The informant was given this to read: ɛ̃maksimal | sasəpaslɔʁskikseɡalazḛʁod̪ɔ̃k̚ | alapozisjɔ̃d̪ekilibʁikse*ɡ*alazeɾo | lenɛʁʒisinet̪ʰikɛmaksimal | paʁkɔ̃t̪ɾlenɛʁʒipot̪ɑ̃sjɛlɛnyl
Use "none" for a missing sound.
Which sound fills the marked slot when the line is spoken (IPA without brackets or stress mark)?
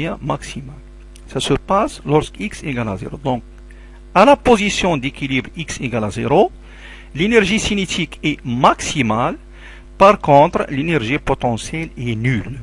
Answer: ɡ